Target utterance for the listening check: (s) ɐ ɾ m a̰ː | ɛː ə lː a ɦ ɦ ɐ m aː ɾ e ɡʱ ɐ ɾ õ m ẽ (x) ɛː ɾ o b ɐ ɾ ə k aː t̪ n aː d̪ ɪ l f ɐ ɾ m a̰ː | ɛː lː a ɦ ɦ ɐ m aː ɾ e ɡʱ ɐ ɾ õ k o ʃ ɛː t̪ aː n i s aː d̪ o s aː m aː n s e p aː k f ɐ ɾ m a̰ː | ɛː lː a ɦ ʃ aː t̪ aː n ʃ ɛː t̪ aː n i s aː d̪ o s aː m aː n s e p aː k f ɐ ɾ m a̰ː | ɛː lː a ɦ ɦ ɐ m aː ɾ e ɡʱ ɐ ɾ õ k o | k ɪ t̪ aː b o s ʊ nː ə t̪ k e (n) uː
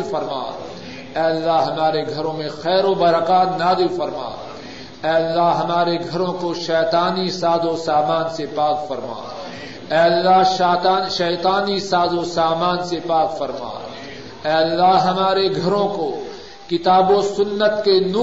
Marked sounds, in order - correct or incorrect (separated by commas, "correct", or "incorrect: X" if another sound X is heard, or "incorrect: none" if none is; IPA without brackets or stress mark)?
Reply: incorrect: f, correct, correct